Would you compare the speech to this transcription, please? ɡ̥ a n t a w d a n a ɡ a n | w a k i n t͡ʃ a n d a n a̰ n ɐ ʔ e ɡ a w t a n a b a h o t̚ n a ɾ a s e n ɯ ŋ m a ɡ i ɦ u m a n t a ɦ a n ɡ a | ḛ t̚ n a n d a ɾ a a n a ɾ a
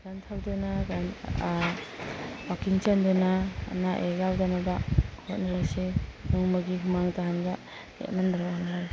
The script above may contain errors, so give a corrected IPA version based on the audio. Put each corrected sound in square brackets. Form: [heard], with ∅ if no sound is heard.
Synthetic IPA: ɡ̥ a n [tʰ] a w d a n a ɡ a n | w a k i [ŋ] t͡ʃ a n d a n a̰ n [a] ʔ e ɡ a w [d] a n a b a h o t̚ n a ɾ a s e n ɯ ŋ m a ɡ i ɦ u m a [ŋ] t a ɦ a n ɡ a | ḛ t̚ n a n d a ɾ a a n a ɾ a